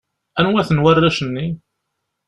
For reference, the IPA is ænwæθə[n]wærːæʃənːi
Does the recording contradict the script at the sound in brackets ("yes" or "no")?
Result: no